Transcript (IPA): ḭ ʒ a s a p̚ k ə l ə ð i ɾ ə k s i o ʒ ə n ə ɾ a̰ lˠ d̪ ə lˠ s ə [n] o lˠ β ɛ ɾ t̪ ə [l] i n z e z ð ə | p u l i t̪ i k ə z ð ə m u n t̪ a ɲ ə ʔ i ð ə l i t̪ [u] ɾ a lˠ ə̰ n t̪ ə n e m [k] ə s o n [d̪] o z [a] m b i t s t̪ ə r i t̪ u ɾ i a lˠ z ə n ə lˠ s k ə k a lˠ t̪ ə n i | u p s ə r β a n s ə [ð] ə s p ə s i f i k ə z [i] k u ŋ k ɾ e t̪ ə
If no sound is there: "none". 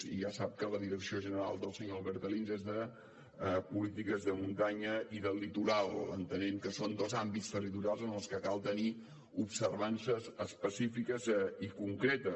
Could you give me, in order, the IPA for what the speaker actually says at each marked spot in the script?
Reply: ɲ, l, u, k, d̪, a, z, i

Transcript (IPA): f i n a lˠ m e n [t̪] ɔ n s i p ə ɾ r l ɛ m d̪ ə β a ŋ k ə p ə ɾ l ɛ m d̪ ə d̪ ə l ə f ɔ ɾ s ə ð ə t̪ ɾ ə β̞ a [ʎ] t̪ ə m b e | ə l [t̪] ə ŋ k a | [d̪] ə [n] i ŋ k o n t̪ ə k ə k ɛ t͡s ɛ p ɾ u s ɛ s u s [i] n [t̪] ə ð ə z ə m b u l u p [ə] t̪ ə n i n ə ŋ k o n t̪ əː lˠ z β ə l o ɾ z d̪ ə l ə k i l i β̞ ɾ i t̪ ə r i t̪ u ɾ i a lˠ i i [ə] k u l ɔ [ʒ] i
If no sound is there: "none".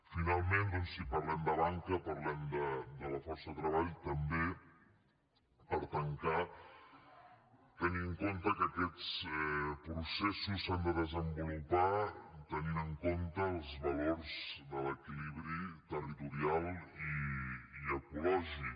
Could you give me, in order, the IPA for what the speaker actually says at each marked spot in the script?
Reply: d̪, ʎ, t̪, t̪, n, a, d̪, a, ə, ʒ

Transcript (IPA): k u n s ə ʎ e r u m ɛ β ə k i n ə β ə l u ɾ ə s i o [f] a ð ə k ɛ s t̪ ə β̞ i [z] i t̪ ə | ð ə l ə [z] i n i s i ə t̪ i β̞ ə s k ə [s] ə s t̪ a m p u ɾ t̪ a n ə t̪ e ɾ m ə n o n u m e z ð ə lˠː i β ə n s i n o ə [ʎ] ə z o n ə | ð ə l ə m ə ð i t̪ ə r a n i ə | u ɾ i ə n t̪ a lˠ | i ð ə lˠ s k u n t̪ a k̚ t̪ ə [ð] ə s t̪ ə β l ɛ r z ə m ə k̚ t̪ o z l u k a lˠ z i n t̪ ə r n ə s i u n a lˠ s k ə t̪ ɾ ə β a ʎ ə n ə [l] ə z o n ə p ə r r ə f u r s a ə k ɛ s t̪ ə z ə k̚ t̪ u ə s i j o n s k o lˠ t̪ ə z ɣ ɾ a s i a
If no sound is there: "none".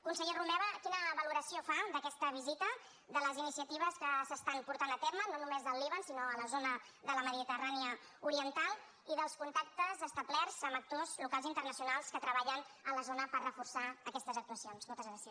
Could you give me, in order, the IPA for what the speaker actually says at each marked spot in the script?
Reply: f, z, z, s, l, z, l

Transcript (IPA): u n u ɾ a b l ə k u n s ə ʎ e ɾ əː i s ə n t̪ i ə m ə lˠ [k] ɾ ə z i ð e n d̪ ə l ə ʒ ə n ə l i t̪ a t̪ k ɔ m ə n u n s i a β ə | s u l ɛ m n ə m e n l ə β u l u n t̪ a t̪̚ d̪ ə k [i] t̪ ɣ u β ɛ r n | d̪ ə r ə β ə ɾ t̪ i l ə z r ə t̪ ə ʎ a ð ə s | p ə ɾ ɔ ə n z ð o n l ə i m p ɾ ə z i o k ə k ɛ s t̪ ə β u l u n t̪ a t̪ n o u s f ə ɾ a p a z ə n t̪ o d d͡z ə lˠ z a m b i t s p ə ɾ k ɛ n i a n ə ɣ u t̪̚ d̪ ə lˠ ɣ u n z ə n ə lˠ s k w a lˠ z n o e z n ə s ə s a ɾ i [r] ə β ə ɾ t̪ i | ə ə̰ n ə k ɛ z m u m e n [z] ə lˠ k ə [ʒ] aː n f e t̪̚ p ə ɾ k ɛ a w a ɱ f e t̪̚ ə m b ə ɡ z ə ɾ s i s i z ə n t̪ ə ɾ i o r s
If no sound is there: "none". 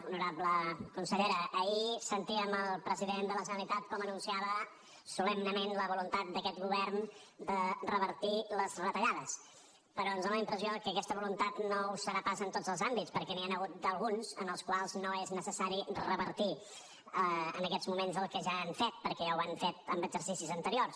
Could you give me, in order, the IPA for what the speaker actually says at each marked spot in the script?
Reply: p, ɛ, r, z, ʒ

